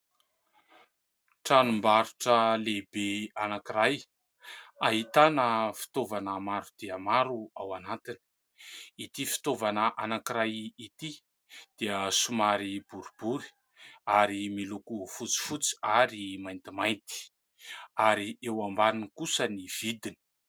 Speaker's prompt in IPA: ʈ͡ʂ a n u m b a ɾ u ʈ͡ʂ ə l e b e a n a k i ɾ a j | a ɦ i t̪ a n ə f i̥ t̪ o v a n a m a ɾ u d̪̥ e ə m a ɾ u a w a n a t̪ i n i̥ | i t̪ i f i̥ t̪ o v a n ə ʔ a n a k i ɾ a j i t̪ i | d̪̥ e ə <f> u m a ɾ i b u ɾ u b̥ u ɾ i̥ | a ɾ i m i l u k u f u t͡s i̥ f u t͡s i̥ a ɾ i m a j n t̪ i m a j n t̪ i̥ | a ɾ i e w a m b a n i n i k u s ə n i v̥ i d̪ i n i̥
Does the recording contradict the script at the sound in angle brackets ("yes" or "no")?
yes